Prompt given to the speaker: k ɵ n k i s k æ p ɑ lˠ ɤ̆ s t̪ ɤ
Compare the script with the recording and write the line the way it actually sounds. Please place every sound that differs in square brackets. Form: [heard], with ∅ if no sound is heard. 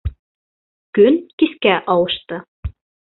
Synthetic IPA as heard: k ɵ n k i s k æ [ʔ] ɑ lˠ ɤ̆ [ʃ] t̪ ɤ